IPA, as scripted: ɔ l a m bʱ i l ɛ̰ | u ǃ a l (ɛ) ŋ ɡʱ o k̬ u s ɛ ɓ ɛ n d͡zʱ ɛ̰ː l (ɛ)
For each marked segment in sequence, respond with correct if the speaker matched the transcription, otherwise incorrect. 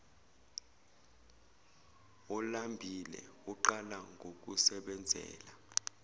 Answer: incorrect: a, incorrect: a

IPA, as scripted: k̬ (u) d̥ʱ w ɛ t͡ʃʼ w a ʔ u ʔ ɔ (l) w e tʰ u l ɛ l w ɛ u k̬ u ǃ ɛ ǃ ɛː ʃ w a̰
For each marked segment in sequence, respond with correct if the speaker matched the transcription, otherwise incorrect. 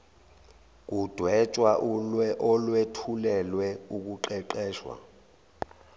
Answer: correct, correct

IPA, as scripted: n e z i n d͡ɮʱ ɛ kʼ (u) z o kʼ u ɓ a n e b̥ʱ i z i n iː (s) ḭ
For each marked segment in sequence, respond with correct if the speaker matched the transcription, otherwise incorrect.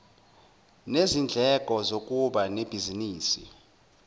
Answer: incorrect: ɔ, correct

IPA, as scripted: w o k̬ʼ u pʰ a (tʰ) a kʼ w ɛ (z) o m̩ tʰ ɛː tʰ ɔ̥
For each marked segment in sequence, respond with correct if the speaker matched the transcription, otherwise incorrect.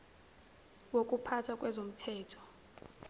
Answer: correct, correct

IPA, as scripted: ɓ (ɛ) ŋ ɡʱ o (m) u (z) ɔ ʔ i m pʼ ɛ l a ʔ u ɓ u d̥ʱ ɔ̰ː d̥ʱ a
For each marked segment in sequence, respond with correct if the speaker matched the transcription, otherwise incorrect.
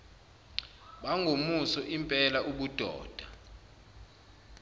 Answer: incorrect: a, correct, incorrect: s

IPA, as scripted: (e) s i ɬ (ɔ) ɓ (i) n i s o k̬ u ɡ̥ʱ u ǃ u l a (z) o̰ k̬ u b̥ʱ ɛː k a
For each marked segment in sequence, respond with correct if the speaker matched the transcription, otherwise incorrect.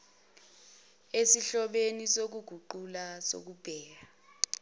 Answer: correct, correct, incorrect: e, incorrect: s

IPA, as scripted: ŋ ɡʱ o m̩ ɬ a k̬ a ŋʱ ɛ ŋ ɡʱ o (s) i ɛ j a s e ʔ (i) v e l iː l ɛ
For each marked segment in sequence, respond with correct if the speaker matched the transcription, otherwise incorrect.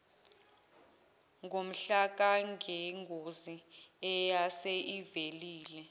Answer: incorrect: z, correct

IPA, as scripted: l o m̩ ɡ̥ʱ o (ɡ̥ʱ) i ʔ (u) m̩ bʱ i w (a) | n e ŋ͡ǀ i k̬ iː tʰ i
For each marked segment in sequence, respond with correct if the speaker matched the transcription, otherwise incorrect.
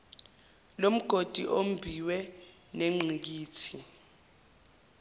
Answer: incorrect: d̥ʱ, incorrect: o, incorrect: ɛ

